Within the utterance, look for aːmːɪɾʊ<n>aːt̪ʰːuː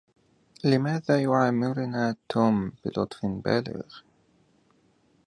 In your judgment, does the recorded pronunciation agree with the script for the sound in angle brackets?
yes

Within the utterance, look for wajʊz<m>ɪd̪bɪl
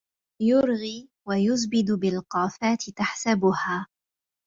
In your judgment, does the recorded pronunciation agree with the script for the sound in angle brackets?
no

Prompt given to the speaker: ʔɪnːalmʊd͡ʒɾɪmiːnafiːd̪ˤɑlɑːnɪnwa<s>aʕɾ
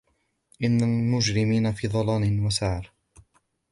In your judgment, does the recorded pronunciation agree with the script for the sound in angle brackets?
yes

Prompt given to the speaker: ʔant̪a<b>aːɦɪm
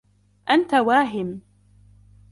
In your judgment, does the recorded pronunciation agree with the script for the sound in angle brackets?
no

